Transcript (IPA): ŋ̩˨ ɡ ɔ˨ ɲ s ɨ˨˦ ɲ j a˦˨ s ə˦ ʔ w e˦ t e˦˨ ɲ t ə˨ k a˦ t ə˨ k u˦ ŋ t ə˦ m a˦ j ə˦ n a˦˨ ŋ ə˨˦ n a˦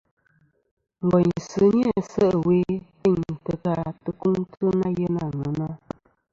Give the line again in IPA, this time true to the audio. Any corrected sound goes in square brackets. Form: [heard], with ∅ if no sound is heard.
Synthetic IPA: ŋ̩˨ ɡ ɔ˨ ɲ s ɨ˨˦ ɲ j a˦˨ s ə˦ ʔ w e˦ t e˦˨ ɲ t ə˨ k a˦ t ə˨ k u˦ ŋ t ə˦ [n] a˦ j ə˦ n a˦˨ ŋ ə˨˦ n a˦

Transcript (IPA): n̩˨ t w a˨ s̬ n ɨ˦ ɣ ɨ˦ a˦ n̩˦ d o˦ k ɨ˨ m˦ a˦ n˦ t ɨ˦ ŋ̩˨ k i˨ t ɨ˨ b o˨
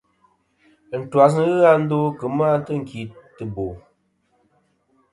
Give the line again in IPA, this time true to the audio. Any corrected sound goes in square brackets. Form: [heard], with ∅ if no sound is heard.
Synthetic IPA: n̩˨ t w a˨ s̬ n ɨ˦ ɣ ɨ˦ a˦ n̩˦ d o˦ k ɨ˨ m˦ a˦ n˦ t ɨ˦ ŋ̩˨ k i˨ t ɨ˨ b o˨

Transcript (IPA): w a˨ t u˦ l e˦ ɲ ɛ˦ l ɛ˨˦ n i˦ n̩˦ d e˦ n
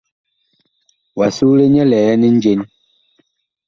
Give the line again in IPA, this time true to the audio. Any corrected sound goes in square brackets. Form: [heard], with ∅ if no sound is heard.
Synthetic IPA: w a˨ [s] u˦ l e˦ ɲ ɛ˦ l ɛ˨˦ n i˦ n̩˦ [d͡ʒ] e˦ n

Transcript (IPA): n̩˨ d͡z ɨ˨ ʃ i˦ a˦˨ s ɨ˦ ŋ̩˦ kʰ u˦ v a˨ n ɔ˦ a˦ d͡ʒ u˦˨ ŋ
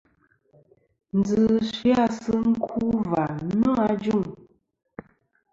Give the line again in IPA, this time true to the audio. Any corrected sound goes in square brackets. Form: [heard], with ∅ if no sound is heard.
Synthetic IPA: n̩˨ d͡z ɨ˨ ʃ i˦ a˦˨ s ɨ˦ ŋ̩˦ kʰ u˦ v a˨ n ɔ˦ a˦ d͡ʒ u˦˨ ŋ

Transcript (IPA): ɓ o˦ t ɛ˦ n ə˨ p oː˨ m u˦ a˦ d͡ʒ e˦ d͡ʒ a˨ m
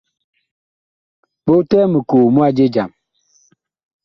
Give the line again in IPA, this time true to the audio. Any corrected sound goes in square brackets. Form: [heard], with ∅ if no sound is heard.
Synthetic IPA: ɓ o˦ t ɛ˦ [m] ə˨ [k] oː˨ m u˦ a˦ d͡ʒ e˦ d͡ʒ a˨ m

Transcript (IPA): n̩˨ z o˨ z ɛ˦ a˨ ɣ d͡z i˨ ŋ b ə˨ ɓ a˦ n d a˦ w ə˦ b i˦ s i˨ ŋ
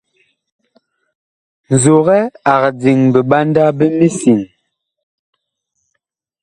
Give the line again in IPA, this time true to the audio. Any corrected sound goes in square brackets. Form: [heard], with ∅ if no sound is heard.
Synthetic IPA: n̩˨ z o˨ [ɣ] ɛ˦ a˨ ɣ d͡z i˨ ŋ b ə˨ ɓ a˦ n d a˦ [b] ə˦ [m] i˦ s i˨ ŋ

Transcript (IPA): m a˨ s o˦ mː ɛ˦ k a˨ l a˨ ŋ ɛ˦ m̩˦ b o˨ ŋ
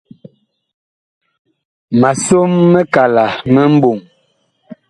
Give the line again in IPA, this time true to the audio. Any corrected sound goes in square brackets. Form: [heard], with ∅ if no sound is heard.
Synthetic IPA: m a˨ s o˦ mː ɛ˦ k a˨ l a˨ [m] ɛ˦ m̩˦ b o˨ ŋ

